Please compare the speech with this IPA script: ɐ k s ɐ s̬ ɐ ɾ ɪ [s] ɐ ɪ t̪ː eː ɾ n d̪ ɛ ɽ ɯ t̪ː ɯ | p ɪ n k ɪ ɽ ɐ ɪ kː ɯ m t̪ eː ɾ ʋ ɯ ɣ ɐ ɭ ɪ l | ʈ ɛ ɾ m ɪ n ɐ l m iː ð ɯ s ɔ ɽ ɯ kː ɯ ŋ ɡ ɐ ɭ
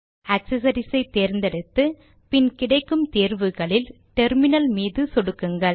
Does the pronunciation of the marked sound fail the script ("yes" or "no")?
no